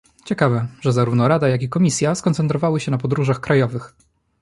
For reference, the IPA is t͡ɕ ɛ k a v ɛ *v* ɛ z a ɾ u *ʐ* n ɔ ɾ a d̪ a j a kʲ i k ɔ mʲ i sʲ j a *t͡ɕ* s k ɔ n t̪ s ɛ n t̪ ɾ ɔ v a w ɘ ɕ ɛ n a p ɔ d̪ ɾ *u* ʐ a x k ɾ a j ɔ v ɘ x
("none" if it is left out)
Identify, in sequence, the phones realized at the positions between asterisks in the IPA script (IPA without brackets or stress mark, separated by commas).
ʐ, v, none, u